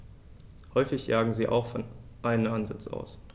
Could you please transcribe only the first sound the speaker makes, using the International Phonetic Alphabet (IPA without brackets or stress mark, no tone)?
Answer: h